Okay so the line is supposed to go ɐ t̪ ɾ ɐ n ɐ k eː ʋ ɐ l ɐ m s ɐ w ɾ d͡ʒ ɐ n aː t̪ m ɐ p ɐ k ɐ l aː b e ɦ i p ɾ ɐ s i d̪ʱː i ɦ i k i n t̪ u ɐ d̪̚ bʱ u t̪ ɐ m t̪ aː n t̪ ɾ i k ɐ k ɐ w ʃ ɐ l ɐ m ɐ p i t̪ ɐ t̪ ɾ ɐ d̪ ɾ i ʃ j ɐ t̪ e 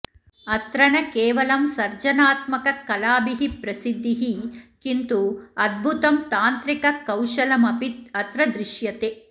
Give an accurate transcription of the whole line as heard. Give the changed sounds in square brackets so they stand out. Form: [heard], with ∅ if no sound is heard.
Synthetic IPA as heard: ɐ t̪ ɾ ɐ n ɐ k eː ʋ ɐ l ɐ m s ɐ [∅] ɾ d͡ʒ ɐ n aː t̪ m ɐ [k] ɐ k ɐ l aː b [i] ɦ i p ɾ ɐ s i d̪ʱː i ɦ i k i n t̪ u ɐ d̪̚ bʱ u t̪ ɐ m t̪ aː n t̪ ɾ i k ɐ k ɐ w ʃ ɐ l ɐ m ɐ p i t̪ ɐ t̪ ɾ ɐ d̪ ɾ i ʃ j ɐ t̪ e